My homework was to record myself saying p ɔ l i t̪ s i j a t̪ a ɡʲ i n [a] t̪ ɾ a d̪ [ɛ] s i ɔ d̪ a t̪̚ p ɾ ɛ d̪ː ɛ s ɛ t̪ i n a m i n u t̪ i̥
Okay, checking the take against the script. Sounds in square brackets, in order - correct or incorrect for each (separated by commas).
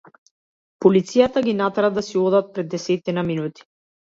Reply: correct, incorrect